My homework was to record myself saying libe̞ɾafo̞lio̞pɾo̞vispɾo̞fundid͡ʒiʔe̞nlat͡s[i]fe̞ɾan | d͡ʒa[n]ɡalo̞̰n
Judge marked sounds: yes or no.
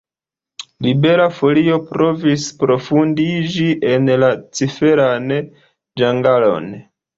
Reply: yes, no

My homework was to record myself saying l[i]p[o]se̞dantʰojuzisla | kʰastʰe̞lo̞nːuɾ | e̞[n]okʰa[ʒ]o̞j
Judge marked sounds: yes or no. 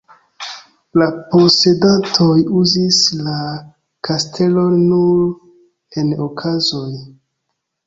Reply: no, yes, yes, no

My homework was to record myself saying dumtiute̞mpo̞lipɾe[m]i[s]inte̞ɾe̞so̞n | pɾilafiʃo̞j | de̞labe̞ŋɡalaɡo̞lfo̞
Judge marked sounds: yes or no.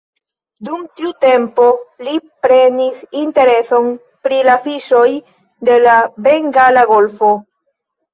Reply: no, yes

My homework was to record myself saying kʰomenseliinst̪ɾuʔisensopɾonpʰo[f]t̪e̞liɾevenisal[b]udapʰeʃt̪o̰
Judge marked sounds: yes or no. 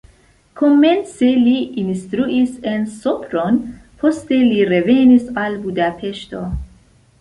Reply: no, yes

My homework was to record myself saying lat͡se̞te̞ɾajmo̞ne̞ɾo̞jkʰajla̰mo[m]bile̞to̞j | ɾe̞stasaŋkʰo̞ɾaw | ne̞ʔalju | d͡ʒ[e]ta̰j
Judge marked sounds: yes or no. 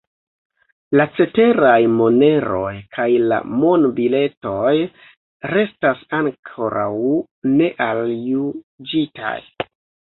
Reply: no, no

